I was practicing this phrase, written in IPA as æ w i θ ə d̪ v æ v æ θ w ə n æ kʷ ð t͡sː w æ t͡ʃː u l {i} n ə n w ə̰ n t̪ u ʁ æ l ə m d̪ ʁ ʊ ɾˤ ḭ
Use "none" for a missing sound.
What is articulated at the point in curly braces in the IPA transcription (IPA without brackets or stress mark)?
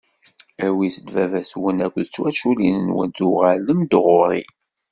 i